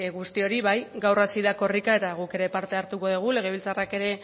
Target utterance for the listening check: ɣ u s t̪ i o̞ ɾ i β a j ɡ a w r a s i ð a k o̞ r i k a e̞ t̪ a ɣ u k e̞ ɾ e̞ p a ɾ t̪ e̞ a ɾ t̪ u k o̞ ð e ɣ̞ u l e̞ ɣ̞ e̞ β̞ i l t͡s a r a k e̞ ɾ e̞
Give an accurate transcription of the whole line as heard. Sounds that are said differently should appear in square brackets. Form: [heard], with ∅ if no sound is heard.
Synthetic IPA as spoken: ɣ u s t̪ i o̞ ɾ i β a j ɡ a w r a s i ð a k o̞ r i k a e̞ t̪ a ɣ u k e̞ ɾ e̞ p a ɾ t̪ e̞ a ɾ t̪ u k o̞ ð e ɣ̞ u l e̞ ɣ̞ e̞ β̞ i l t͡s a r a k e̞ ɾ e̞